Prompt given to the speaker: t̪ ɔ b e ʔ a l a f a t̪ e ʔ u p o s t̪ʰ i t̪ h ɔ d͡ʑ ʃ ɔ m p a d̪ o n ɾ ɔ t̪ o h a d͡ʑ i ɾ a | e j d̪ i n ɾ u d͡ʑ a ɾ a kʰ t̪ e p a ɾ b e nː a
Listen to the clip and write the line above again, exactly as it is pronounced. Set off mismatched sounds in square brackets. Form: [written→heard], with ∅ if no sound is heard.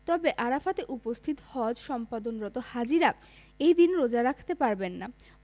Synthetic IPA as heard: t̪ ɔ b e ʔ a [l→ɾ] a f a t̪ e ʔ u p o s t̪ʰ i t̪ h ɔ d͡ʑ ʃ ɔ m p a d̪ o n ɾ ɔ t̪ o h a d͡ʑ i ɾ a | e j d̪ i n ɾ [u→o] d͡ʑ a ɾ a kʰ t̪ e p a ɾ b e nː a